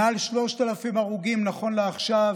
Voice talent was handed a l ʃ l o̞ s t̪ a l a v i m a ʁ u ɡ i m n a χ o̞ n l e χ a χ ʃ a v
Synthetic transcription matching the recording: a l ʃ l o̞ ʃ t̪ a l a f i m a ʁ u ɡ i m n a χ o̞ n l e a χ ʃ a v